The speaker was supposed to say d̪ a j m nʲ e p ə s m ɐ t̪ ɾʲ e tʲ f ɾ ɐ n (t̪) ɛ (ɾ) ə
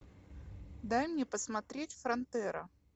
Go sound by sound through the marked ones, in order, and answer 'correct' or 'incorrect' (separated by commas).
correct, correct